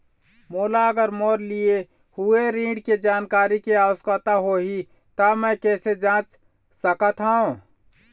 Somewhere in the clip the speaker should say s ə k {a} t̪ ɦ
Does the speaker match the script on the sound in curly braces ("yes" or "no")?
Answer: no